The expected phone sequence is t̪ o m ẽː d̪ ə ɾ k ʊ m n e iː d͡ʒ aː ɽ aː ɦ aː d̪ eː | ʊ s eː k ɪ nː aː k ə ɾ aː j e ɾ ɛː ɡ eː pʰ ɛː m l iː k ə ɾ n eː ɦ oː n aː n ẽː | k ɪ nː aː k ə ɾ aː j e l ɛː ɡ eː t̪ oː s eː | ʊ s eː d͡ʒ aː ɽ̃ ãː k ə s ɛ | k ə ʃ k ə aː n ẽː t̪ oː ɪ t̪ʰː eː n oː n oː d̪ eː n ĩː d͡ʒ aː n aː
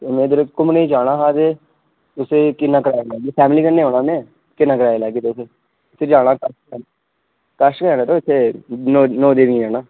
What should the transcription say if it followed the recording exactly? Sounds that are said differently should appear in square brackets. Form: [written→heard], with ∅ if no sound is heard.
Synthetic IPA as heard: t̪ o m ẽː d̪ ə ɾ k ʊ m n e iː d͡ʒ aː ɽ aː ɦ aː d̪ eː | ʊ s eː k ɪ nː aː k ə ɾ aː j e [ɾ→l] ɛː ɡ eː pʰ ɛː m l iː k ə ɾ n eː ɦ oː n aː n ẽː | k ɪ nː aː k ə ɾ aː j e l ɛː ɡ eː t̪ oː s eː | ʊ s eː d͡ʒ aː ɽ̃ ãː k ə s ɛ | k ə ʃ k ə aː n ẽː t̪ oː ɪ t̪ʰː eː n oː n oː d̪ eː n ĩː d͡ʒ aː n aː